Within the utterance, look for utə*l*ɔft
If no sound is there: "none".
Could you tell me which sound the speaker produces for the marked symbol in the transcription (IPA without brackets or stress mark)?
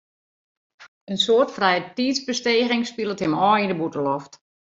l